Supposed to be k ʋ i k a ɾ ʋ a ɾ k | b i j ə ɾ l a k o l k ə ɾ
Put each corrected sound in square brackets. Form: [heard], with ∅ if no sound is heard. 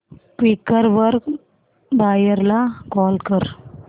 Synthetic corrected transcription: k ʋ i k [ə] ɾ ʋ [ə] ɾ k | b [a] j ə ɾ l a k [ɔ] l k ə ɾ